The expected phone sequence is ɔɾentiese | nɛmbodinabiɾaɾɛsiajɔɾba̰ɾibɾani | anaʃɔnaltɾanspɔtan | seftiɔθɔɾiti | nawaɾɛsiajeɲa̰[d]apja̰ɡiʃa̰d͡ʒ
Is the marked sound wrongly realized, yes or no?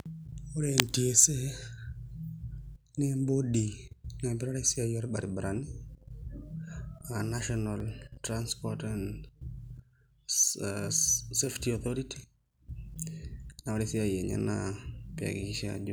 yes